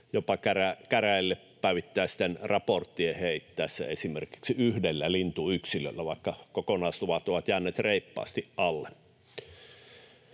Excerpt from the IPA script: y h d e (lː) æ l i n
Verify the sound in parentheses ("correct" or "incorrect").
correct